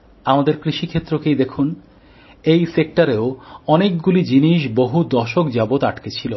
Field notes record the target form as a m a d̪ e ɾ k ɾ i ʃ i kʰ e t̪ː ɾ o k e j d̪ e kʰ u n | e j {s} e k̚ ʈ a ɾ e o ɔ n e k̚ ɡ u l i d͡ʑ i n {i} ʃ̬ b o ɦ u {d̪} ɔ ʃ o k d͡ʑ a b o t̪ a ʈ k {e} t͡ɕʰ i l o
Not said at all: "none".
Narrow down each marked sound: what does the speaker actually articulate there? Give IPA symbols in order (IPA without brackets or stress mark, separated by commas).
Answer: s, i, d̪, e